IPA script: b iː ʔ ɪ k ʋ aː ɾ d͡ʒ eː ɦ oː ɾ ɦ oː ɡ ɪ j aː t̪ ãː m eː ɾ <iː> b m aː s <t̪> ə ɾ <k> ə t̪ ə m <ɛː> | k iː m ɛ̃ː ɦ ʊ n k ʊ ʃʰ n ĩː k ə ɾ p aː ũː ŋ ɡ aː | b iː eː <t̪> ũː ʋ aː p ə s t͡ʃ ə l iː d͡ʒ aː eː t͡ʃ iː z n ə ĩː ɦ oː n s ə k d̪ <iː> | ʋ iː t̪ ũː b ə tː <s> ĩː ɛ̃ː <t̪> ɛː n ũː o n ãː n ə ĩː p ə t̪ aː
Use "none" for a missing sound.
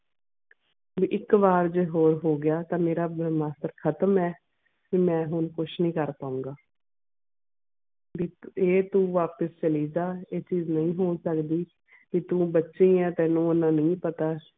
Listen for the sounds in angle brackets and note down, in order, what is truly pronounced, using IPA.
aː, t̪, kʰ, ɛː, t̪, iː, ʃ, t̪

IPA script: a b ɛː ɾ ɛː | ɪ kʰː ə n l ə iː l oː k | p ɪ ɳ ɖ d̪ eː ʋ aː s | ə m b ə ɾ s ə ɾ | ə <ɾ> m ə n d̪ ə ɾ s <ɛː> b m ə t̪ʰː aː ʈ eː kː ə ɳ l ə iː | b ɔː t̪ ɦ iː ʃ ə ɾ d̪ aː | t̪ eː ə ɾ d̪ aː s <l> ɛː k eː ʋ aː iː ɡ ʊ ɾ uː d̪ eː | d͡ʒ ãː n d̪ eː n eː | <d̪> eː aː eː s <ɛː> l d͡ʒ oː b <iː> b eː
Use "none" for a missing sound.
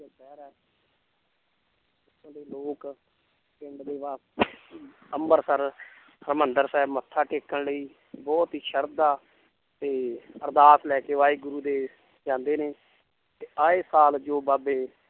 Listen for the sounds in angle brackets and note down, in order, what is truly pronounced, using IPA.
ɾ, ɛː, l, t̪, aː, aː

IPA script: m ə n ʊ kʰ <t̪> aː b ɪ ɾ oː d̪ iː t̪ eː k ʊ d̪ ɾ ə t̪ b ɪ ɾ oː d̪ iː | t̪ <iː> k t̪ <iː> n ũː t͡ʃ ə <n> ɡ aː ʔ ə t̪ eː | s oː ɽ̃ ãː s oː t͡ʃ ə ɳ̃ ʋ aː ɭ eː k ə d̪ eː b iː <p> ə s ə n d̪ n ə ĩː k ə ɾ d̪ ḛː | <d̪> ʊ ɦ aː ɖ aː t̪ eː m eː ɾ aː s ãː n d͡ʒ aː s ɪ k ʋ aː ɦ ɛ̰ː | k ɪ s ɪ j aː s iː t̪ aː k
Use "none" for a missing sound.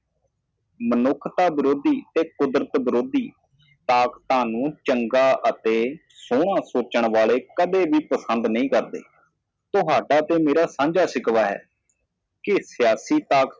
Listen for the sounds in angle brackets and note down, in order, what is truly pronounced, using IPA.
t̪, aː, aː, ŋ, p, t̪

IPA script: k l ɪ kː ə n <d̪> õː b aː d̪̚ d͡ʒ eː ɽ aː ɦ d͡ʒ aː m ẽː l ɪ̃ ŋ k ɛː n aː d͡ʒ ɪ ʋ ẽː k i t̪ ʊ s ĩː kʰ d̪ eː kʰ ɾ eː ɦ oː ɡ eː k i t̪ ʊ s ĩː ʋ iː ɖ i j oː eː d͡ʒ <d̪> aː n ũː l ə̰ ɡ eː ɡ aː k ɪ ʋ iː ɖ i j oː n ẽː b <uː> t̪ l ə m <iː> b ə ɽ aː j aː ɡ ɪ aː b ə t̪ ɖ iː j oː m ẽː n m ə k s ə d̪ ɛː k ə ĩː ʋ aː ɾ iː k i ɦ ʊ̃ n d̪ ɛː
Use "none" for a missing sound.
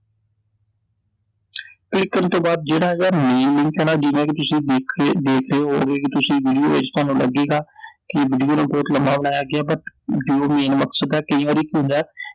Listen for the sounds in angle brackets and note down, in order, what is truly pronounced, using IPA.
t̪, t̪, ɔː, aː

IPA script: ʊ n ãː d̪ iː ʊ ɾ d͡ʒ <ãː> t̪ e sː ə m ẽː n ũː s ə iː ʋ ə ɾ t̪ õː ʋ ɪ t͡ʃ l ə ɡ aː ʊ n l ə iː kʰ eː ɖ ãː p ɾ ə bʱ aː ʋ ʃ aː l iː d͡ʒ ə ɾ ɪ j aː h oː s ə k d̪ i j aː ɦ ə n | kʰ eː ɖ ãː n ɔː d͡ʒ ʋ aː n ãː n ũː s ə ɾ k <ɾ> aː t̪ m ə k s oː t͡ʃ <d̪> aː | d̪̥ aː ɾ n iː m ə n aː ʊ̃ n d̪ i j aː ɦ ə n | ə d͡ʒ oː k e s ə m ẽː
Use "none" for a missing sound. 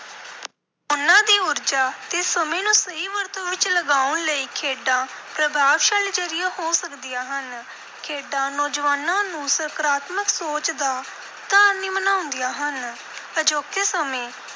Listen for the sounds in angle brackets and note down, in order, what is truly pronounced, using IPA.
aː, ɾ, d̪

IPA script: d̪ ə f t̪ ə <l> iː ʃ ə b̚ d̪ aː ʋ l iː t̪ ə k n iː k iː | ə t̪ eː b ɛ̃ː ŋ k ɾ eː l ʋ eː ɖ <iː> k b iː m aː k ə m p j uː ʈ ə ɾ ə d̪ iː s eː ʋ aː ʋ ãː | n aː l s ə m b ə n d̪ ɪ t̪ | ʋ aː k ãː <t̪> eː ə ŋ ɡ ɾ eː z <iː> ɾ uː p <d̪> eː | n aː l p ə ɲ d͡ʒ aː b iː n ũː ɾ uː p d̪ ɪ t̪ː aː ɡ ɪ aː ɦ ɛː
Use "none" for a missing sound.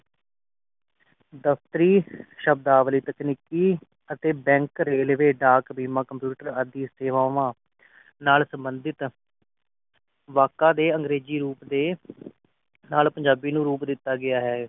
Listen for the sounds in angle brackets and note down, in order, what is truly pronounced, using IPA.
ɾ, aː, d̪, iː, d̪

